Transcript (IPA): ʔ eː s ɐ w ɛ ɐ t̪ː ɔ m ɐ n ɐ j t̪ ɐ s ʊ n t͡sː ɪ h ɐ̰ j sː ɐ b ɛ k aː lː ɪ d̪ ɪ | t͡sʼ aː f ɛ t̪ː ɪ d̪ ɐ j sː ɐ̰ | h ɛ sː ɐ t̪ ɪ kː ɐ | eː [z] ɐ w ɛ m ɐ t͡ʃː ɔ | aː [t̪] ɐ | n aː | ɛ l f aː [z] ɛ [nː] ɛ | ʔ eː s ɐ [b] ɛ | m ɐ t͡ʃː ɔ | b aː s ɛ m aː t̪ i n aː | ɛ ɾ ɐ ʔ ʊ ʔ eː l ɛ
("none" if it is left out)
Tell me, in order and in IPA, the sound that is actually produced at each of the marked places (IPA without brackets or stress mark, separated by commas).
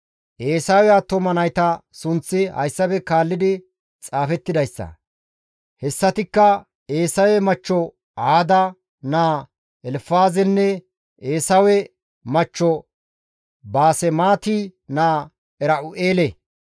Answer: s, d̪, z, nː, w